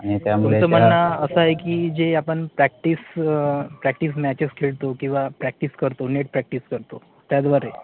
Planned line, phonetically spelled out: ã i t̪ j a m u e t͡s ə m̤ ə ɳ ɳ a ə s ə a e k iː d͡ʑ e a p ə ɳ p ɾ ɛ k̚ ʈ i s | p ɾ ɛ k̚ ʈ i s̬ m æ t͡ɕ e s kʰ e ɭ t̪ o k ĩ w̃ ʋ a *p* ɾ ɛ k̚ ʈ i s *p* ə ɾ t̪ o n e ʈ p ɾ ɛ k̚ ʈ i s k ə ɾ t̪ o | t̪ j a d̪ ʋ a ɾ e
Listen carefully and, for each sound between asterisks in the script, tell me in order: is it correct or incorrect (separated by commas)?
correct, incorrect